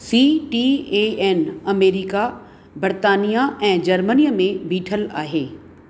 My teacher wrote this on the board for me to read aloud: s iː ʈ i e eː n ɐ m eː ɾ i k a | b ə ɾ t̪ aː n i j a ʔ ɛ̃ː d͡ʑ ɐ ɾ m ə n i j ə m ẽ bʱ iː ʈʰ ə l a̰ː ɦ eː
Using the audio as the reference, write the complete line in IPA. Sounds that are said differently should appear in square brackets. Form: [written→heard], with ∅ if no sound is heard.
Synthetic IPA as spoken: s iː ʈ i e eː n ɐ m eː ɾ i k a | b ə ɾ t̪ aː n i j a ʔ ɛ̃ː d͡ʑ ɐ ɾ m ə n i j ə m ẽ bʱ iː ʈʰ ə l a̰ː ɦ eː